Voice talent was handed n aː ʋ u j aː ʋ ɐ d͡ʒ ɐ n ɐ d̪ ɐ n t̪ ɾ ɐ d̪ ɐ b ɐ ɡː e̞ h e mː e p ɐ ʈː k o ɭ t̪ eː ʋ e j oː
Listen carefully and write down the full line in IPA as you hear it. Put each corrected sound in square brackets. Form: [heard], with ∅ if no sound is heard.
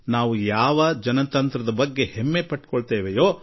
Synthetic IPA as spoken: n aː ʋ u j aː ʋ ɐ d͡ʒ ɐ n ɐ [t̪] ɐ n t̪ ɾ ɐ d̪ ɐ b ɐ ɡː e̞ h e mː e p ɐ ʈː k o ɭ t̪ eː ʋ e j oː